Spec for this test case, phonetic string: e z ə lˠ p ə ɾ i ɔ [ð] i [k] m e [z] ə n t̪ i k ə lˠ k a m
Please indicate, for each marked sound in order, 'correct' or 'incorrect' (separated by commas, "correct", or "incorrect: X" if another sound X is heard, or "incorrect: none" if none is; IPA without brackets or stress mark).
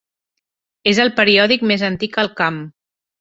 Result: correct, correct, correct